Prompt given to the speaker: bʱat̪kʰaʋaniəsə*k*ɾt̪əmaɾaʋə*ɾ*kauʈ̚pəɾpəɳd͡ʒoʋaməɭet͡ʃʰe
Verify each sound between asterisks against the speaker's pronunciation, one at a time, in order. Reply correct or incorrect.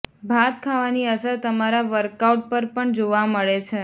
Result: incorrect, correct

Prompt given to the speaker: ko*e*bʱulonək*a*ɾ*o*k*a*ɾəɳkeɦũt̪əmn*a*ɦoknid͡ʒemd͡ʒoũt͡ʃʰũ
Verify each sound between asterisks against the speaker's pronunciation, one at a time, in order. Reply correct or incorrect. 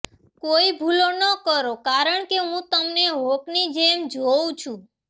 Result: incorrect, incorrect, correct, correct, incorrect

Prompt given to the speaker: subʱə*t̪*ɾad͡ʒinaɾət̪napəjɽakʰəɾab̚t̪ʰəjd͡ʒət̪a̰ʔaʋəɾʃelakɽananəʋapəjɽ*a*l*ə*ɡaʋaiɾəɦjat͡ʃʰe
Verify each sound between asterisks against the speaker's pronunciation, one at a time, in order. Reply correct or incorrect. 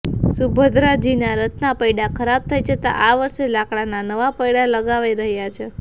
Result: incorrect, correct, correct

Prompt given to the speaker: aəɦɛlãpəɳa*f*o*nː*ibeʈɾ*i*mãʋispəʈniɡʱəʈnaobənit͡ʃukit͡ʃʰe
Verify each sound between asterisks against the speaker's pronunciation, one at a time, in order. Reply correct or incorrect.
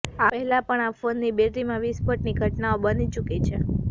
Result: correct, correct, correct

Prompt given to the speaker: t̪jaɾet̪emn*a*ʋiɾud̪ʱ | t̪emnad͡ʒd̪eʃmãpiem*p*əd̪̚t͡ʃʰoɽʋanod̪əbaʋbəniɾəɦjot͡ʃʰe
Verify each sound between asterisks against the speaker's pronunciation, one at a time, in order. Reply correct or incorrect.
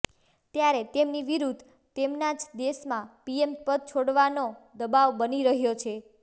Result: incorrect, correct

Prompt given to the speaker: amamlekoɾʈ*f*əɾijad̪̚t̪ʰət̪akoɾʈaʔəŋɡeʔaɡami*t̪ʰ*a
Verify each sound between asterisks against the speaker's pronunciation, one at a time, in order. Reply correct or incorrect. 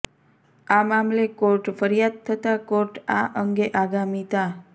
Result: correct, incorrect

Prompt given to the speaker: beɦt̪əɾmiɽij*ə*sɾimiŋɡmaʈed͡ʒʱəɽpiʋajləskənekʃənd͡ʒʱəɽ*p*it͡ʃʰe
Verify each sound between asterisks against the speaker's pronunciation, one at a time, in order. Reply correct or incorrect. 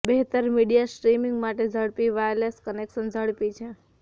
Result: incorrect, correct

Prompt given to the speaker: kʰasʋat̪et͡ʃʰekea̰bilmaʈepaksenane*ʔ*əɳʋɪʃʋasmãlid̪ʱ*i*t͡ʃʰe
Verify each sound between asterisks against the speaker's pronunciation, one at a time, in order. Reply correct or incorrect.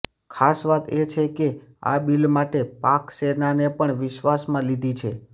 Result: incorrect, correct

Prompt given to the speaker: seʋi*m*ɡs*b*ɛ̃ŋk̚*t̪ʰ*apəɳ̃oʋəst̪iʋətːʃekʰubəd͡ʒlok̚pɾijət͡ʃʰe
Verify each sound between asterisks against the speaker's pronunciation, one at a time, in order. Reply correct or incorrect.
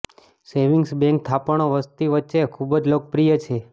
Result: incorrect, correct, correct

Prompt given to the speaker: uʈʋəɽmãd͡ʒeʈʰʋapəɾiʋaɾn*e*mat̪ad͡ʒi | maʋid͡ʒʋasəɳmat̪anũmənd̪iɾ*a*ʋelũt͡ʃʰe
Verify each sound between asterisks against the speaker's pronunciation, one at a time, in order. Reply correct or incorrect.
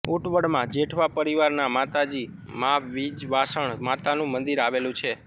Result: incorrect, correct

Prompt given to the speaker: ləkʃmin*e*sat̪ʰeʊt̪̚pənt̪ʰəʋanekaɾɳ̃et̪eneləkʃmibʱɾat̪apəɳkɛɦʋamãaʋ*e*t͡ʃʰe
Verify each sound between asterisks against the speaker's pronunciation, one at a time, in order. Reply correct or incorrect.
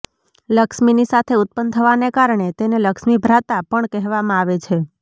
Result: incorrect, correct

